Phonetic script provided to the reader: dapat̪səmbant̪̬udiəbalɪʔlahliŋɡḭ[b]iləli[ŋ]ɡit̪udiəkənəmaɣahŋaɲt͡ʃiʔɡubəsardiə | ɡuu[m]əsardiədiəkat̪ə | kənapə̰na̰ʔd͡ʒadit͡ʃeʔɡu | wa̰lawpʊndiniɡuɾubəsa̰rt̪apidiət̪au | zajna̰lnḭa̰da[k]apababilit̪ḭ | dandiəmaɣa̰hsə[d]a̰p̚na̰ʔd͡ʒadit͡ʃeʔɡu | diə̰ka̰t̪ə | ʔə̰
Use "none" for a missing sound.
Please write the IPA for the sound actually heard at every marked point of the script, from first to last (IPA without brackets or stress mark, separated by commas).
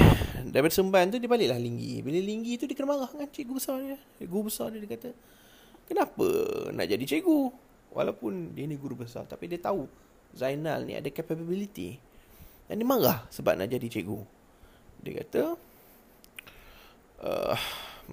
b, ŋ, b, k, b